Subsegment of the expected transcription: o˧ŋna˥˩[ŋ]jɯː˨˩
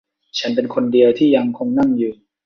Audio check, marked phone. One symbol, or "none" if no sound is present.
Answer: ŋ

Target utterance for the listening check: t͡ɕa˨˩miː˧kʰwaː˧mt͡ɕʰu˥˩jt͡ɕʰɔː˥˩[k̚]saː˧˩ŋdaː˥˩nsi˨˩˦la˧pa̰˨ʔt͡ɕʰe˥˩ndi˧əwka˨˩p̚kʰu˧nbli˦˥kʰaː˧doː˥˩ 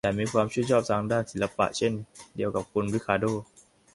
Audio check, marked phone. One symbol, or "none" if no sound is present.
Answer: p̚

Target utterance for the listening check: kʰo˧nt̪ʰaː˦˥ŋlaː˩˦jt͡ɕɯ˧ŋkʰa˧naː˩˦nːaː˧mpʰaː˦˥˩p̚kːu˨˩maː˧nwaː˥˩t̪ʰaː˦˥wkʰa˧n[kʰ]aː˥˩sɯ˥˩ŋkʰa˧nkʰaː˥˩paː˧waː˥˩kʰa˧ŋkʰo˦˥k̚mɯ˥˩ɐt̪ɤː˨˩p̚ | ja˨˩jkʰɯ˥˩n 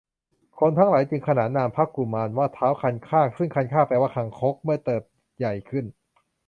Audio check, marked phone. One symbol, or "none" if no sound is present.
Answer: kʰ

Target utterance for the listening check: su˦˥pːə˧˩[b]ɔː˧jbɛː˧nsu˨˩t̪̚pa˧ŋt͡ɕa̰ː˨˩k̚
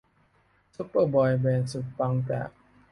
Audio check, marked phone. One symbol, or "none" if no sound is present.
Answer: b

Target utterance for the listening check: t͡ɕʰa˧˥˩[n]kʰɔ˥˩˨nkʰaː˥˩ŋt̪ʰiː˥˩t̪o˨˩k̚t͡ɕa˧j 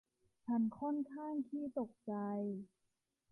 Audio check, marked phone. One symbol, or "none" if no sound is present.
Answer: n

